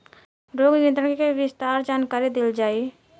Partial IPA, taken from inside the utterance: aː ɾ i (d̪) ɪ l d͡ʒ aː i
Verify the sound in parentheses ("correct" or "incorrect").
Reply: correct